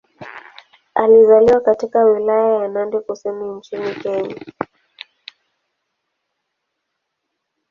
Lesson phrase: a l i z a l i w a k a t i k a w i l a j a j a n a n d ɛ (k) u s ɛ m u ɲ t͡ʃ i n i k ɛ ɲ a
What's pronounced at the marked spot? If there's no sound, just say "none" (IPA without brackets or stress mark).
k